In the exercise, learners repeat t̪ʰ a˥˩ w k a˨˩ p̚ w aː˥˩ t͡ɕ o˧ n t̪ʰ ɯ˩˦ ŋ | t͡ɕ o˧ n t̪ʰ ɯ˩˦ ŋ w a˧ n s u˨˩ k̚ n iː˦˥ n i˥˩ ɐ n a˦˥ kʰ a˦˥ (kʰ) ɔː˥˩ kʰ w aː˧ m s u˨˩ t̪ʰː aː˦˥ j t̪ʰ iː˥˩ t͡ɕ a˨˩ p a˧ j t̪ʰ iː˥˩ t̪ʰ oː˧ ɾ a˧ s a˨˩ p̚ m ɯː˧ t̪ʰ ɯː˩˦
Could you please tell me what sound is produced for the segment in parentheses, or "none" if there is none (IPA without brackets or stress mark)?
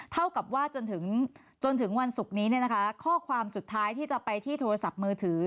kʰ